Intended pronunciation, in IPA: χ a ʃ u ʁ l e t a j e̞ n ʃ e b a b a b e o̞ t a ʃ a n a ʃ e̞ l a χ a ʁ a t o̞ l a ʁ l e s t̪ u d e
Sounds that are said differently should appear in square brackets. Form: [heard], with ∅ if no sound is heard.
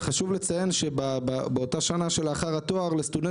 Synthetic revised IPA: χ a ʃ u [v] l e [t͡s] a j e̞ n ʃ e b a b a b e o̞ t a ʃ a n a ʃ e̞ l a χ a ʁ a t o̞ [∅] a ʁ l e s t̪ u d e